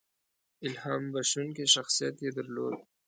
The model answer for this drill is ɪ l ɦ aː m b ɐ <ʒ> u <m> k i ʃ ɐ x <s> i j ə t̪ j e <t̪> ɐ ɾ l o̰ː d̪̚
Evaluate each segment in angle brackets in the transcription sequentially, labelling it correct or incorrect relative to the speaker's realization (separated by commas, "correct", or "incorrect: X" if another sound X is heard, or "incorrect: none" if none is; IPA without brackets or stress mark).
incorrect: ʃ, incorrect: n, correct, incorrect: d̪